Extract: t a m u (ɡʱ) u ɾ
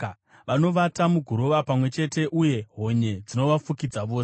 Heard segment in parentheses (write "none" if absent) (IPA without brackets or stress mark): ɡʱ